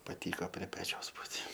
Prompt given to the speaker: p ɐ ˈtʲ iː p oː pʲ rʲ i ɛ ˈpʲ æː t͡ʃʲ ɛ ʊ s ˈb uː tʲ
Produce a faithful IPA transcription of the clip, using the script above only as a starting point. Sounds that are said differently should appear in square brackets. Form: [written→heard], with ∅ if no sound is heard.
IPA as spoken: p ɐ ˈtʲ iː [p→k] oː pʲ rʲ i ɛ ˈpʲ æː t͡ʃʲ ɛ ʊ s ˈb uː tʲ